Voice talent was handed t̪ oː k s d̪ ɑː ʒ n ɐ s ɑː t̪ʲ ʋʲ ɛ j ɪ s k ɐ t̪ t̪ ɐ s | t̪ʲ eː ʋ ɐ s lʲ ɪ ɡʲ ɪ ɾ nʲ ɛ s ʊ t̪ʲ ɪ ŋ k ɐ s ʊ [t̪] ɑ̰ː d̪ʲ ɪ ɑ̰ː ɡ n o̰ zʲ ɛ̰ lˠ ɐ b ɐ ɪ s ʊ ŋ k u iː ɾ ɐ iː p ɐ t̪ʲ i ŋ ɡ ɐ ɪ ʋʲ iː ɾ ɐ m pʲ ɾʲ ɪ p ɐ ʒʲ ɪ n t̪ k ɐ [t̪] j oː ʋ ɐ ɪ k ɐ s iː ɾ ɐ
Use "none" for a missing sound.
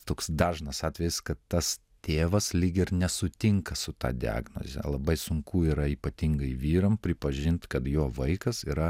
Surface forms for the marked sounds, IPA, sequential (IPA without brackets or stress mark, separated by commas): t̪, t̪